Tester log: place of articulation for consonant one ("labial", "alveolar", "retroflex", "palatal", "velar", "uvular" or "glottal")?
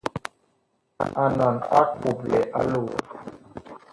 alveolar